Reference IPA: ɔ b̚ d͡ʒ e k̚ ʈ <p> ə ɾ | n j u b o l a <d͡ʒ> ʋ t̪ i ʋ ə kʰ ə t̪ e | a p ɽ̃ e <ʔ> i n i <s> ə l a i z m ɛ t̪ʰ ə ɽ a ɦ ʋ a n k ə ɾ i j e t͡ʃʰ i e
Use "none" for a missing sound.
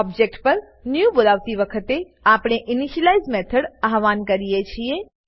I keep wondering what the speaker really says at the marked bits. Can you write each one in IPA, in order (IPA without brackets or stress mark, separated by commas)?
p, none, ʔ, ʃ